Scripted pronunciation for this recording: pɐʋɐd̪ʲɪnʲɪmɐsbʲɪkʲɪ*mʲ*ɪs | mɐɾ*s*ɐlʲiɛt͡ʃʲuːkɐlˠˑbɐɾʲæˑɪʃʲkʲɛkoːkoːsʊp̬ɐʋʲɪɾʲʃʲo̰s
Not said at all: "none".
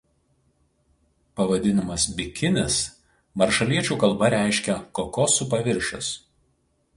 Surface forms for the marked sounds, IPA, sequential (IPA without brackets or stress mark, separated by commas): nʲ, ʃ